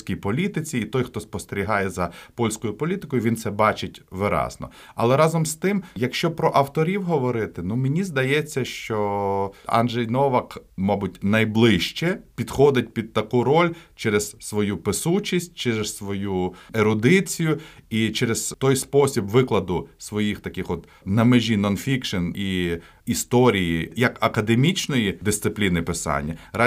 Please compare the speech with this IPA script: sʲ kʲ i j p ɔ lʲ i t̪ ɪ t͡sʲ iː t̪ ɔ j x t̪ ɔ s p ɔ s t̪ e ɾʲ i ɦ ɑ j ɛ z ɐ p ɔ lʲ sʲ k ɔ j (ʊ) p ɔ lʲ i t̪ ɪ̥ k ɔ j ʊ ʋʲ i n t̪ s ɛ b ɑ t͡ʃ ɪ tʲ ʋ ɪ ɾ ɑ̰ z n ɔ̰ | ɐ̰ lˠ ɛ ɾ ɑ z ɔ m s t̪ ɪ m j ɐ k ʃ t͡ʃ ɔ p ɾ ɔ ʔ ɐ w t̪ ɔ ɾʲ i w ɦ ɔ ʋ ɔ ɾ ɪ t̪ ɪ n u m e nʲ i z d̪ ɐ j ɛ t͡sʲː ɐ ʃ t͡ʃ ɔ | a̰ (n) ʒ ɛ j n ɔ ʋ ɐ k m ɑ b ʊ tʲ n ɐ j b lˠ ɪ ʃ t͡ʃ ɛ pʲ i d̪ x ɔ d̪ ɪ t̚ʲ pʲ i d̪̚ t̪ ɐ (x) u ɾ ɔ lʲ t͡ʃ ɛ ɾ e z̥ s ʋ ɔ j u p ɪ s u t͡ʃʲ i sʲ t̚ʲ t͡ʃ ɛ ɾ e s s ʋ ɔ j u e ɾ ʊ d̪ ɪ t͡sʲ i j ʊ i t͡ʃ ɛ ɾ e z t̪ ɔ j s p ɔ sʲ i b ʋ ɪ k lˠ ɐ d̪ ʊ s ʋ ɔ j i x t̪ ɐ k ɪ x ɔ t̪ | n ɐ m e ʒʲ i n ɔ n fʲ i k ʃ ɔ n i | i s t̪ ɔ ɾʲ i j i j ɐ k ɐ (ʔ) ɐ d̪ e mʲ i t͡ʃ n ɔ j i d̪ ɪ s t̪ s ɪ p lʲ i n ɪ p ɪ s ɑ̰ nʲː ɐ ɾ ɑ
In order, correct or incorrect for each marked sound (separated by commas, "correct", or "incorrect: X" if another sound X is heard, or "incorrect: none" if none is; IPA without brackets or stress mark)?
correct, correct, incorrect: k, incorrect: k